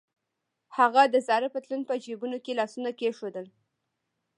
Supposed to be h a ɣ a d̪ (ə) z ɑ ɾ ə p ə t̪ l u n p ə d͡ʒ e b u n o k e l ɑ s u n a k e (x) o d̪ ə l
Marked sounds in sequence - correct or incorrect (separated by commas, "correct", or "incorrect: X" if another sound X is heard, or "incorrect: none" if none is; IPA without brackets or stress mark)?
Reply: correct, incorrect: ʃ